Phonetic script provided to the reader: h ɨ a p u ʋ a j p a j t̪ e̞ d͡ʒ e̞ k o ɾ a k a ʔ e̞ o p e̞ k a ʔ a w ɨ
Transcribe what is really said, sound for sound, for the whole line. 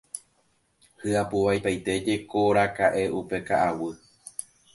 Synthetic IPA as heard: h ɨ a p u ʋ a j p a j t̪ e̞ d͡ʒ e̞ k o ɾ a k a ʔ e̞ u p e̞ k a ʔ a w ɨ